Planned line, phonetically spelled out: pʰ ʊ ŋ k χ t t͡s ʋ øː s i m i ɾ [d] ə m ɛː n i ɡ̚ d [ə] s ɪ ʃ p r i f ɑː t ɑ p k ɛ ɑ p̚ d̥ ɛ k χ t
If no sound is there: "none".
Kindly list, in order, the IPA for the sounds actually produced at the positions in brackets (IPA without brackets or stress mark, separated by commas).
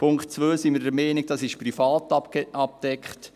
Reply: d, ɑ